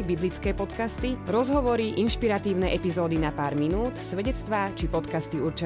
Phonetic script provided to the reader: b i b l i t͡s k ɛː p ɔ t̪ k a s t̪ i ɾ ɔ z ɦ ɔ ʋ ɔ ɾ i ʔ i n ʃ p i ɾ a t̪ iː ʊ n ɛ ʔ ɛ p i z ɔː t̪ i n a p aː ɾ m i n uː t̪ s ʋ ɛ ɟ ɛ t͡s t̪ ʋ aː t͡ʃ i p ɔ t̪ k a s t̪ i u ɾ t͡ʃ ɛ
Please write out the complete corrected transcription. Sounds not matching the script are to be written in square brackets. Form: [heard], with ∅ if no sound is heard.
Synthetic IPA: b i b l i t͡s k ɛː p ɔ t̪ k a s t̪ i ɾ ɔ z ɦ ɔ ʋ ɔ ɾ i ʔ i n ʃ p i ɾ a t̪ iː ʊ n ɛ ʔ ɛ p i z ɔː [d̪] i n a p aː ɾ m i n uː t̪ s ʋ ɛ ɟ ɛ t͡s t̪ ʋ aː t͡ʃ i p ɔ t̪ k a s t̪ i u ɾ t͡ʃ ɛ